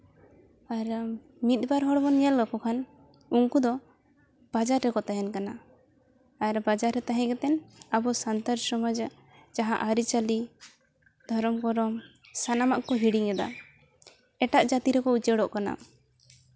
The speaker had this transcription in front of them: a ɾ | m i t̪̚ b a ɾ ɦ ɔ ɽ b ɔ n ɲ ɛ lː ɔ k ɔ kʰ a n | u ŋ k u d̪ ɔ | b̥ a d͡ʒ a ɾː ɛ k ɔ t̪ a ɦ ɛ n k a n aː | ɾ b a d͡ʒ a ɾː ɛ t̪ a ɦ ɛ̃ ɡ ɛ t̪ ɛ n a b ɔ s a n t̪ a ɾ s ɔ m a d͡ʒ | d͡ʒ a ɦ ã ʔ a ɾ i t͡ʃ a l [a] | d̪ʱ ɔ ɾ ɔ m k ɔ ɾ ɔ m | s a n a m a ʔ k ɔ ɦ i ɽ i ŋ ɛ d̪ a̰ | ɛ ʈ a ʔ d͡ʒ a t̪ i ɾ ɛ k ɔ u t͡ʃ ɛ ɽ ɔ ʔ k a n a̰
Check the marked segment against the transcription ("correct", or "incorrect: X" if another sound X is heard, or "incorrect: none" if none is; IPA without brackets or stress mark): incorrect: i